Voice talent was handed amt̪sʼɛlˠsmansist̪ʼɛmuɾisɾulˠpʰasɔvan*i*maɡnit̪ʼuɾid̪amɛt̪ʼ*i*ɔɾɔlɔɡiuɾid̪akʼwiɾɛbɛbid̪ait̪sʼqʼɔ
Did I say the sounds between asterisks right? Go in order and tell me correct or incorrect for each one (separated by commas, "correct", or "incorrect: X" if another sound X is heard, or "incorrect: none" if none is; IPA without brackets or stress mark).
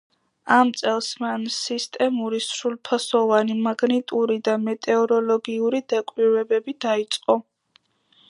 correct, incorrect: ɛ